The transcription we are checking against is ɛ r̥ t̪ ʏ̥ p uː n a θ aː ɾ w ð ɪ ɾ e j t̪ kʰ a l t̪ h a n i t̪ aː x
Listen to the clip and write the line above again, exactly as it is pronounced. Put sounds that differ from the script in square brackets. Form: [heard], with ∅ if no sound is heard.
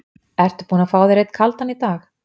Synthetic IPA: ɛ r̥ t̪ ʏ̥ p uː n a [f] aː [∅] w ð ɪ ɾ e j t̪ kʰ a l t̪ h a n i t̪ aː x

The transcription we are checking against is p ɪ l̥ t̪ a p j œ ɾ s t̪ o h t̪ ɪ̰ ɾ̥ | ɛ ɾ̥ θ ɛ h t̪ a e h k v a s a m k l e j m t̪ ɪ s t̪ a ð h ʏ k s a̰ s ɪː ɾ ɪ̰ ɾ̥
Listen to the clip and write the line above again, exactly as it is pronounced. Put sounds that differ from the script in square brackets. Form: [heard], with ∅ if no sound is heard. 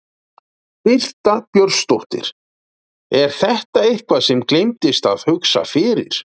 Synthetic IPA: p ɪ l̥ t̪ a p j œ ɾ s t̪ o h t̪ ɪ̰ ɾ̥ | ɛ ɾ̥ θ ɛ h t̪ a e h k v a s [ɛ] m k l e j m t̪ ɪ s t̪ a ð h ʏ k s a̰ [f] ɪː ɾ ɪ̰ ɾ̥

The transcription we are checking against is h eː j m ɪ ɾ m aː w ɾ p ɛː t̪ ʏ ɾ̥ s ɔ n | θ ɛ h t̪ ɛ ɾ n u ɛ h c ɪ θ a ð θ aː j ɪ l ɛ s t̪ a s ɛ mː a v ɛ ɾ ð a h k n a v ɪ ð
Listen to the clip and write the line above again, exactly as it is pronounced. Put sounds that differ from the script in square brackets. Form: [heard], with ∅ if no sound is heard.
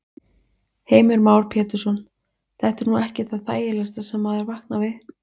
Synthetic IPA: h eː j m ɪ ɾ m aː w ɾ [pʰ] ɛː t̪ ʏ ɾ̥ s ɔ n | θ ɛ h t̪ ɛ ɾ n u ɛ h c ɪ θ a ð θ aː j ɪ l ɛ s t̪ a s ɛ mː a [ð] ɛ ɾ [v] a h k n a v ɪ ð

